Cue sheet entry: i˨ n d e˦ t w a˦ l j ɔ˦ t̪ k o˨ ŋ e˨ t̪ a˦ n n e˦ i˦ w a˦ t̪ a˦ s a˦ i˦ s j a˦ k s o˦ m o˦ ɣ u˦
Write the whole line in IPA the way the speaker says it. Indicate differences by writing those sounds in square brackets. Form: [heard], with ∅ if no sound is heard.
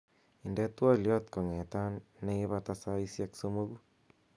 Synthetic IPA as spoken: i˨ n d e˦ t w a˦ l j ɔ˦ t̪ k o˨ ŋ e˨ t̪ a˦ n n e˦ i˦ [β] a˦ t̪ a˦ s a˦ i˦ s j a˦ k s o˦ m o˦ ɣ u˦